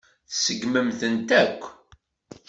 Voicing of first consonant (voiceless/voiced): voiceless